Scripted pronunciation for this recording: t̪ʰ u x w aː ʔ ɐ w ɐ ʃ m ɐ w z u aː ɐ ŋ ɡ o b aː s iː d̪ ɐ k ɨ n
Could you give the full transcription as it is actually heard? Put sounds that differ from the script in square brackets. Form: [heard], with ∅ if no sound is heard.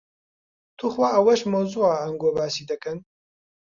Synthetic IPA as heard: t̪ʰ u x w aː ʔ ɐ w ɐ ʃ m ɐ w z u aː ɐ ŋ ɡ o b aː s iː d̪ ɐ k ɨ n